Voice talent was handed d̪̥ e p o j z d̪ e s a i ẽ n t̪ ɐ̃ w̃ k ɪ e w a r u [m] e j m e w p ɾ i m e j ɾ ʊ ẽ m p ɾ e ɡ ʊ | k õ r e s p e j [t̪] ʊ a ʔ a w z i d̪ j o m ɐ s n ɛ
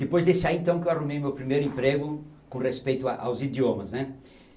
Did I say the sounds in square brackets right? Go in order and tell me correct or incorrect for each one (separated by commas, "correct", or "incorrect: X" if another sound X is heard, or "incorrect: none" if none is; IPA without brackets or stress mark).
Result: correct, correct